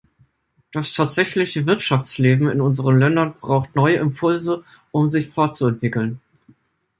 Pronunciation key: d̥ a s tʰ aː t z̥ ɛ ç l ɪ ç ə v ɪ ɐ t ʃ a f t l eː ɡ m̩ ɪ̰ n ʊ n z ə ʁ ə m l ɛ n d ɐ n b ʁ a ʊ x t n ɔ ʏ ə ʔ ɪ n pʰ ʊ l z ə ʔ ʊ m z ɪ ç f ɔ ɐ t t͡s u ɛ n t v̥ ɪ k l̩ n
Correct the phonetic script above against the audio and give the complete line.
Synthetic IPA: d̥ a s tʰ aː t z̥ ɛ ç l ɪ ç ə v ɪ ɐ t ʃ a f t͡s l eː b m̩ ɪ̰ n ʊ n z ə ʁ ə n l ɛ n d ɐ n b ʁ a ʊ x t n ɔ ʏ ə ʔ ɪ m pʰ ʊ l z ə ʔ ʊ m z ɪ ç f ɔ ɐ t t͡s u ɛ n t v̥ ɪ k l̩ n